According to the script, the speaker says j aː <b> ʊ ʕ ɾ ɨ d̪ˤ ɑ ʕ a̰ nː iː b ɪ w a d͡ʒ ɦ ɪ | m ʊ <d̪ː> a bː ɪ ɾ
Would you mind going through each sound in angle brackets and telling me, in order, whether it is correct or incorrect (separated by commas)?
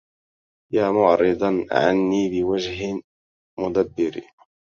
incorrect, incorrect